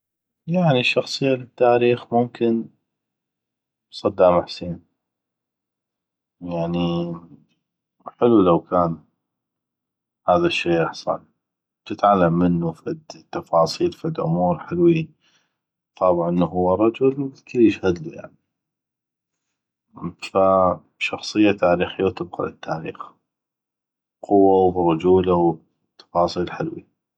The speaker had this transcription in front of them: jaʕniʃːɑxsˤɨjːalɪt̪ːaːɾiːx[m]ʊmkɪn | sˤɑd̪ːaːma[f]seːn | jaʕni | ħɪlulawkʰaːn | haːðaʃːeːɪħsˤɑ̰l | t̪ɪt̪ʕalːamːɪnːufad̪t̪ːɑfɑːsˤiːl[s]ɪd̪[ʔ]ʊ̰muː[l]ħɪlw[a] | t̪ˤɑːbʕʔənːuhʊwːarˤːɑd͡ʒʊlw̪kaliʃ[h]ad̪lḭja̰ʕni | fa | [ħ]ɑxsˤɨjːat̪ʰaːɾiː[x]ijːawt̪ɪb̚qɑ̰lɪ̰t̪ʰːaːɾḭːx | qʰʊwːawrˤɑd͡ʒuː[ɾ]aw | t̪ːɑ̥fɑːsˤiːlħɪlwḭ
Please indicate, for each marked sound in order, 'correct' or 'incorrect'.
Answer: correct, incorrect, incorrect, correct, incorrect, incorrect, correct, incorrect, correct, incorrect

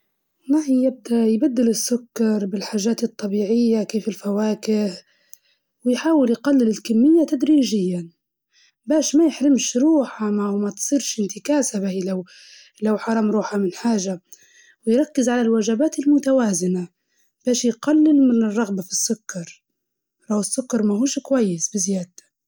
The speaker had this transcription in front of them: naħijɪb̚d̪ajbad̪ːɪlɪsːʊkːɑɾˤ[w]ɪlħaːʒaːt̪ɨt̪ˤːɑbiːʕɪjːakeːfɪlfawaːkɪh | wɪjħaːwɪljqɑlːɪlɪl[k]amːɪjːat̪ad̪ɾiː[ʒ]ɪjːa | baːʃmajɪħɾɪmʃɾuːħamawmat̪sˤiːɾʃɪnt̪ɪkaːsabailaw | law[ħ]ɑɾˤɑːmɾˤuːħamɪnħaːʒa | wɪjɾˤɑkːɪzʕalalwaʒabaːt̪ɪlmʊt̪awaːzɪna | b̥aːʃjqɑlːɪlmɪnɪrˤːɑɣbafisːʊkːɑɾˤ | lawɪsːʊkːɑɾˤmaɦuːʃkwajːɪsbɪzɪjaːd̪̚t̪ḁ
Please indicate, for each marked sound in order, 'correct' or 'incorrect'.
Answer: incorrect, correct, correct, correct

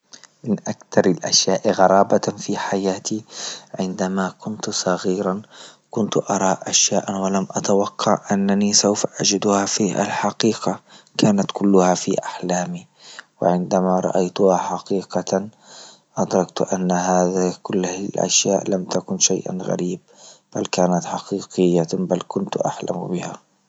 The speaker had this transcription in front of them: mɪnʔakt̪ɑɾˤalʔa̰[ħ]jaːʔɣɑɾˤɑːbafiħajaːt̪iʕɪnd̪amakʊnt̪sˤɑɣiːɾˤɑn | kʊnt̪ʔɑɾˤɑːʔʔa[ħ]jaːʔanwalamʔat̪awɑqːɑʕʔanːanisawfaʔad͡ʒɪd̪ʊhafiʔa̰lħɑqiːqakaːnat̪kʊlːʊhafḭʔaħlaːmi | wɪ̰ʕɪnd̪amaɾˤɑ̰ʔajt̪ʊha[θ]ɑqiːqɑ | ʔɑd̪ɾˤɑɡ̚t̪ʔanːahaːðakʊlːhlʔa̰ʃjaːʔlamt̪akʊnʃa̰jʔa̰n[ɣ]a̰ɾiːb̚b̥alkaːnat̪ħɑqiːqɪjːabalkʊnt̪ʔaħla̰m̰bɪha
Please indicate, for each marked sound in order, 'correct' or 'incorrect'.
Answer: incorrect, incorrect, incorrect, correct

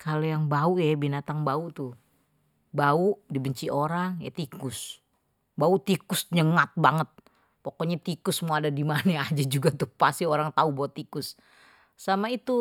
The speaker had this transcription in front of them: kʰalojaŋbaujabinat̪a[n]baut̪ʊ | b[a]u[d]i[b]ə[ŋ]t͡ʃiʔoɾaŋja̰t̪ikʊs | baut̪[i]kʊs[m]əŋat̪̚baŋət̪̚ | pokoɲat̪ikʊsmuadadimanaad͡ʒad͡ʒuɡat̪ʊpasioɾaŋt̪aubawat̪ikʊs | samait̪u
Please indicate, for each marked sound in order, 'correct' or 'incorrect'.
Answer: incorrect, correct, correct, correct, incorrect, correct, incorrect

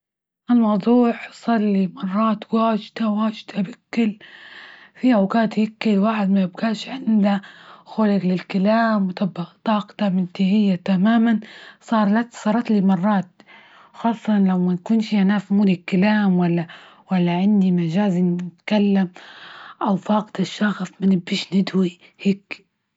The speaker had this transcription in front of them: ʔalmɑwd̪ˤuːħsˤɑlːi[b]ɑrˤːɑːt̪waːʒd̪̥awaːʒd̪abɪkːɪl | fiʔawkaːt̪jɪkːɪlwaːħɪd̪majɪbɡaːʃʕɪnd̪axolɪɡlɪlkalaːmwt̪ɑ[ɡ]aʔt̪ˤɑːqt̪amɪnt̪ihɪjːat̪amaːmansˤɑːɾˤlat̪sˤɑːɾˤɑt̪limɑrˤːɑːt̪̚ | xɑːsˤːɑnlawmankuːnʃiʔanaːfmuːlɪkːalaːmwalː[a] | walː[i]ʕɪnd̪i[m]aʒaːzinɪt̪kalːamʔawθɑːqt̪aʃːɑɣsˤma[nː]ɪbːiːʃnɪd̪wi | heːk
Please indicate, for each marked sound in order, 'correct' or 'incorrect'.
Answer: incorrect, incorrect, correct, incorrect, correct, incorrect

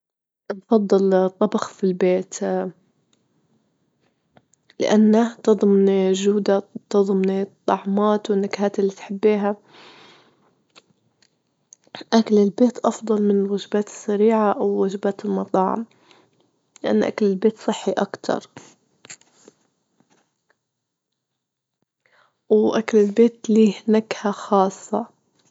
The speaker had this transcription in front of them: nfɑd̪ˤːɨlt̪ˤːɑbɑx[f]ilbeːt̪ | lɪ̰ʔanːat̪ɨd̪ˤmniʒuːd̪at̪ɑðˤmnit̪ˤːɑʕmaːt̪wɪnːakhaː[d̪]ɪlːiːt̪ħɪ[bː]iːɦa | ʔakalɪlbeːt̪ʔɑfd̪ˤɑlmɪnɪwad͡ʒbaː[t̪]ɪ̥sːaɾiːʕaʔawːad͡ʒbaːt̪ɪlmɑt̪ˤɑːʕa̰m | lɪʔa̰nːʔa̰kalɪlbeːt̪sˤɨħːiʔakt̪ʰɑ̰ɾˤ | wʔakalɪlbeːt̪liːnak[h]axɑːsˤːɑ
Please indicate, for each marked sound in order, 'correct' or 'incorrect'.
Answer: correct, incorrect, correct, correct, correct

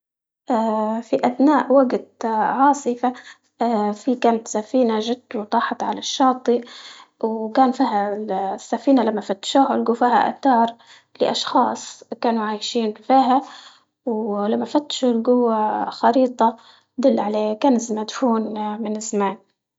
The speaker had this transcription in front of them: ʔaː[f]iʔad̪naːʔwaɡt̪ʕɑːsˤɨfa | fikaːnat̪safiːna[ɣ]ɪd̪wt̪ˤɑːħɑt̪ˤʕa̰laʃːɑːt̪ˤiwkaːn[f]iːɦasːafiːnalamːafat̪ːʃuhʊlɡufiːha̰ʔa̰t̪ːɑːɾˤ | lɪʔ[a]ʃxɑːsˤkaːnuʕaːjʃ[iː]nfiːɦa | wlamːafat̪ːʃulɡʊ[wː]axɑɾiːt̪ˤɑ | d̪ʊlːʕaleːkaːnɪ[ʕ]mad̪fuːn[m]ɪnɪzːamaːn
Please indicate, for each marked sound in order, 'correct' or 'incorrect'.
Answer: correct, incorrect, correct, incorrect, correct, correct, incorrect, correct

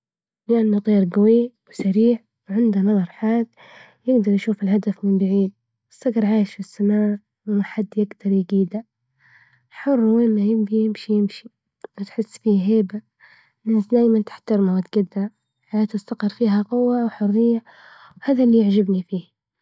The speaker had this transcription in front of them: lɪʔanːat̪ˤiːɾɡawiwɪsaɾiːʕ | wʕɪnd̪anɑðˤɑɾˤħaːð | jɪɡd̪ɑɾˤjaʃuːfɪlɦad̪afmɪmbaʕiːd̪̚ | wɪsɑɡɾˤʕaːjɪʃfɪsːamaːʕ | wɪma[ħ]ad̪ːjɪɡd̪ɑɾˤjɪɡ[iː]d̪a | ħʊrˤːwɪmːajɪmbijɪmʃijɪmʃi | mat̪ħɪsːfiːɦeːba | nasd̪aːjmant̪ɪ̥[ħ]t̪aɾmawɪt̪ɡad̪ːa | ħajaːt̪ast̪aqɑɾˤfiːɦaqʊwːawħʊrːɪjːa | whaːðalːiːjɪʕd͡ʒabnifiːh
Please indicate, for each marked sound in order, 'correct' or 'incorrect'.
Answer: correct, correct, correct

